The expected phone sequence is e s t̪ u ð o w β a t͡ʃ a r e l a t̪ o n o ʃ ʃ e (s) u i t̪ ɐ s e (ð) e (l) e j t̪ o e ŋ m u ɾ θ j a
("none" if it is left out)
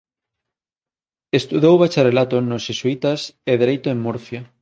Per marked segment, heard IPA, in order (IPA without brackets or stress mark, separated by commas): s, ð, ɾ